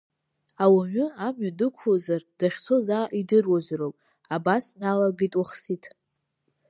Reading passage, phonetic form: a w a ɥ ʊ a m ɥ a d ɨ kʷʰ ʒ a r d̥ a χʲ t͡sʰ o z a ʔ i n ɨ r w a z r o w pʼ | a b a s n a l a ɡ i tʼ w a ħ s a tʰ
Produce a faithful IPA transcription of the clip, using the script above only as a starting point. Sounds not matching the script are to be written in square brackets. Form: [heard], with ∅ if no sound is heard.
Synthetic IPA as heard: a w a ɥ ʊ a m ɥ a d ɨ kʷʰ [z] a r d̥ a χʲ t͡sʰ o z a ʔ i [d] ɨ r w a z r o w pʼ | a b a s n a l a ɡ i tʼ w a [χ] s [i] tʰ